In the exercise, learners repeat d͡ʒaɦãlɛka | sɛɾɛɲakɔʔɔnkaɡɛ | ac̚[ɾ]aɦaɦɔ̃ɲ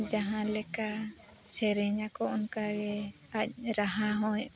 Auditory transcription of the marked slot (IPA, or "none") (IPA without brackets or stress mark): ɾ